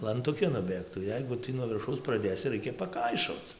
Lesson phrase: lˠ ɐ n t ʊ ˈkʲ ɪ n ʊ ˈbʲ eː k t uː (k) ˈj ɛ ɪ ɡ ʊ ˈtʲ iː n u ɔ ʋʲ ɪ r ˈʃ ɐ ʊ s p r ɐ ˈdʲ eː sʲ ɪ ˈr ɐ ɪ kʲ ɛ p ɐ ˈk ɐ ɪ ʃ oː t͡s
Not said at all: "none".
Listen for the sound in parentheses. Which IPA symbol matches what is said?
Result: none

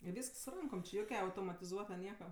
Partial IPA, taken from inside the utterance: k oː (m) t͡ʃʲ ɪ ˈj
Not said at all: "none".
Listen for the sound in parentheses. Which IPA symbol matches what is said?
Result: m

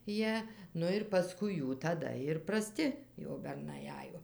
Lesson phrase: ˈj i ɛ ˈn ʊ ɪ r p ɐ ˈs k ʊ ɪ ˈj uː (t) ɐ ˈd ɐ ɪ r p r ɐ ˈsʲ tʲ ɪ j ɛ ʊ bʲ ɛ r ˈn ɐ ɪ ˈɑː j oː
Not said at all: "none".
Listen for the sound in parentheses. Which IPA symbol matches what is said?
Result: t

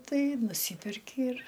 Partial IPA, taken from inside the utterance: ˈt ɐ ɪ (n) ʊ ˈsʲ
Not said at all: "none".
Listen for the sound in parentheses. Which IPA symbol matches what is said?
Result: n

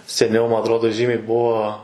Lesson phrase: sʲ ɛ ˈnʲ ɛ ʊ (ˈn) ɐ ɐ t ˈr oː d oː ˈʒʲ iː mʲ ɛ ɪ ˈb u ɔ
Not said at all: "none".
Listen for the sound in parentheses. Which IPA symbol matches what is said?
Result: m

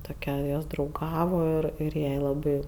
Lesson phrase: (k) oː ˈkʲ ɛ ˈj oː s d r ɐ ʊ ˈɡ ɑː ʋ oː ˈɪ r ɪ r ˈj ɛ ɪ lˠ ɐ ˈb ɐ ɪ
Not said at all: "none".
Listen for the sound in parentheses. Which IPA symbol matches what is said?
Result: t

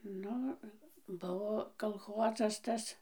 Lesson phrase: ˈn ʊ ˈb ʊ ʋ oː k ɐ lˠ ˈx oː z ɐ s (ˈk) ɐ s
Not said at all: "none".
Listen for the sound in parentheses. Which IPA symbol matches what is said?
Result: t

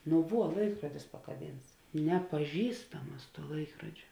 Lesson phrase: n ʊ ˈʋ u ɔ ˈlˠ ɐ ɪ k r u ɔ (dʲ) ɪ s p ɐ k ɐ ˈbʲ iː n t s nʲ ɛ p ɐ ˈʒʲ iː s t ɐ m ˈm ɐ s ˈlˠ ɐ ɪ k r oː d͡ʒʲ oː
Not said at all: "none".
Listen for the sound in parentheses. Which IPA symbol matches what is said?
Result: dʲ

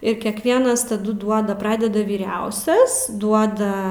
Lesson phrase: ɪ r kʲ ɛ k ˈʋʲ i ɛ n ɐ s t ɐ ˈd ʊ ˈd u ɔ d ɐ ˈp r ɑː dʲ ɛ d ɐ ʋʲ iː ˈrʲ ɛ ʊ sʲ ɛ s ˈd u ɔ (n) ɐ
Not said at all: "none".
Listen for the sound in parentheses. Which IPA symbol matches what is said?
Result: d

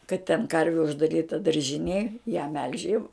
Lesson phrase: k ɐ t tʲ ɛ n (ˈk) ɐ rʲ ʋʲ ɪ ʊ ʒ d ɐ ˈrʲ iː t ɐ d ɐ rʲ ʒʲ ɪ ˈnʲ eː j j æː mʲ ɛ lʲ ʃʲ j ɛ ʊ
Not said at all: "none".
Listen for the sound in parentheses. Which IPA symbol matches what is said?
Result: k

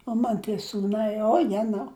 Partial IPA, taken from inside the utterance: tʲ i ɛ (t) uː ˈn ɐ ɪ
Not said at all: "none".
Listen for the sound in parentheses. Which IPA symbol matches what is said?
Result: s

